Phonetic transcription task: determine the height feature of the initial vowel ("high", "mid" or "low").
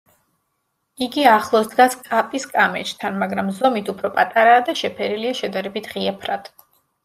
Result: high